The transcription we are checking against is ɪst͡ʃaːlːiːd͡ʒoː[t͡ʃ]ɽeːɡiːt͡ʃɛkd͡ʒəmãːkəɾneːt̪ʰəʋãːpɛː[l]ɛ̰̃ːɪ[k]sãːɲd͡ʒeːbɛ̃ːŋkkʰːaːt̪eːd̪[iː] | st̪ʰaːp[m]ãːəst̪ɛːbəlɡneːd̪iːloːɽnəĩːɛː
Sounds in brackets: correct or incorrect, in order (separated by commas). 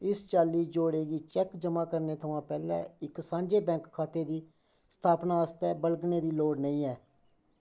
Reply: incorrect, correct, correct, correct, incorrect